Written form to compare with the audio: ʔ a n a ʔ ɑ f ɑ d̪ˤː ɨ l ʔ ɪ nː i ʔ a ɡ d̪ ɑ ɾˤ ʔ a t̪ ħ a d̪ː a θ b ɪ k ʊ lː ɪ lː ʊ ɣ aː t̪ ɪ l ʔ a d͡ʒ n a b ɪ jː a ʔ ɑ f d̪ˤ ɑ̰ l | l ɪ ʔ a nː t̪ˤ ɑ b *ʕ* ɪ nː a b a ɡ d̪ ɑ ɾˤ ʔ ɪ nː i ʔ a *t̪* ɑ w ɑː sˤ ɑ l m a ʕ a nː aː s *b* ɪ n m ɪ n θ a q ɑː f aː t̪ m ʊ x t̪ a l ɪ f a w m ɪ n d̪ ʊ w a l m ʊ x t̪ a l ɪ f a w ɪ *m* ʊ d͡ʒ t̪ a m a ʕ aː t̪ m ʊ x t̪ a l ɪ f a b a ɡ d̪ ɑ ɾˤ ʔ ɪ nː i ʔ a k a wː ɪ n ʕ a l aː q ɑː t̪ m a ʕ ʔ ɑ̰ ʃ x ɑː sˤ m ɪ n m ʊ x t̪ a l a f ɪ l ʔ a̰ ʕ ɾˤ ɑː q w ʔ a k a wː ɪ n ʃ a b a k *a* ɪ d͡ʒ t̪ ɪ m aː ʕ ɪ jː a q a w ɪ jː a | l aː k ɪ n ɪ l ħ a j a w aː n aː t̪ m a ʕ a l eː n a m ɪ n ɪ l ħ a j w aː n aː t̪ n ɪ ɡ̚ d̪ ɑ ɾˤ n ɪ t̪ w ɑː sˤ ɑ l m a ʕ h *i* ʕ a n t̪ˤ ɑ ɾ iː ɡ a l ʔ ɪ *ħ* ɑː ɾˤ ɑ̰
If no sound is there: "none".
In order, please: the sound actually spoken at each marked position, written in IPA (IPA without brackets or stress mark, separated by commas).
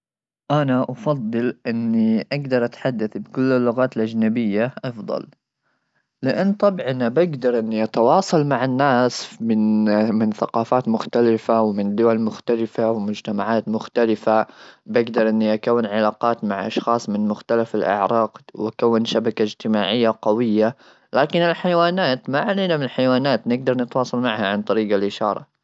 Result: ʕ, t̪, m, m, a, a, ʃ